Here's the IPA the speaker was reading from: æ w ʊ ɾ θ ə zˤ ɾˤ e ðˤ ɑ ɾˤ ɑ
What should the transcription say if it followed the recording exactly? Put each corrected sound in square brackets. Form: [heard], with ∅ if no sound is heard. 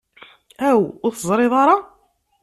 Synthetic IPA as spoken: æ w ʊ ɾ θ ə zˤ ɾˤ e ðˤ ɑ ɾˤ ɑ